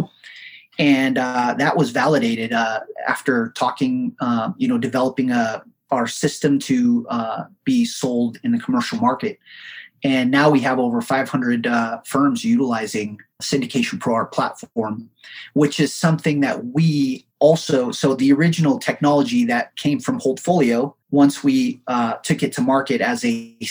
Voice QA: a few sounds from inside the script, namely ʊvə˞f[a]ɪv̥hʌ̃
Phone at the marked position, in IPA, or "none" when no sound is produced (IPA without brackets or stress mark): a